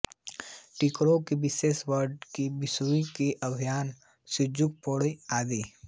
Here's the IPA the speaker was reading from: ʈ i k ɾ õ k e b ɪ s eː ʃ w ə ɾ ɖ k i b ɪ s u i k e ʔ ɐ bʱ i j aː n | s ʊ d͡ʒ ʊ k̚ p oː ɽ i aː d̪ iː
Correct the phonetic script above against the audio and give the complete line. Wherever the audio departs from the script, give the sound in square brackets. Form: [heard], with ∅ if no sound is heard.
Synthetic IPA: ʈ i k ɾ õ k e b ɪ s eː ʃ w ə ɾ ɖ k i b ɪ s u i k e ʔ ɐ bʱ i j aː n | s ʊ d͡ʒ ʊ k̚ p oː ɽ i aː d̪ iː